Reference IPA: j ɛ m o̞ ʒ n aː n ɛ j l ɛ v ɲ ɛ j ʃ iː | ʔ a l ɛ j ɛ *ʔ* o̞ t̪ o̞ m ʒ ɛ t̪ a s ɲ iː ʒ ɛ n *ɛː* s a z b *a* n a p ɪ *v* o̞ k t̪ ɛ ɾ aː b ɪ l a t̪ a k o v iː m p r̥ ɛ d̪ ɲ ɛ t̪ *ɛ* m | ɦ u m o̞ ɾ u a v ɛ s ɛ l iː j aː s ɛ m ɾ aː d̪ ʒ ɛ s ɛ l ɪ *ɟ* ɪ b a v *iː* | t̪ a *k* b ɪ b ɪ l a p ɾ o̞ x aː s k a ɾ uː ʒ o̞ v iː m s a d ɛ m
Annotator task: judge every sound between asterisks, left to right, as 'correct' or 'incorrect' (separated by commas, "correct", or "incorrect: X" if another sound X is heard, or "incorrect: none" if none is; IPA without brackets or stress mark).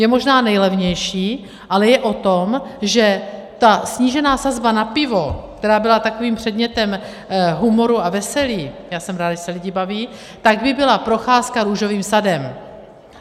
correct, incorrect: aː, correct, correct, correct, correct, correct, incorrect: ɡ